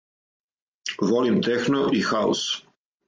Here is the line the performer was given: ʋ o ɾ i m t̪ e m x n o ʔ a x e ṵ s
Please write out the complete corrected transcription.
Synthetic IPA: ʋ o l i m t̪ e x n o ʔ i x a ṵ s